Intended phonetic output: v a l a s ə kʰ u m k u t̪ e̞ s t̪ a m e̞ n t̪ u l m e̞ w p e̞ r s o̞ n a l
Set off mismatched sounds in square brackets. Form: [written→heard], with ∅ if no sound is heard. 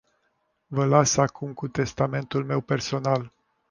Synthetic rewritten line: v [a→ə] l a s [ə→a] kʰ u m k u t̪ e̞ s t̪ a m e̞ n t̪ u l m e̞ w p e̞ r s o̞ n a l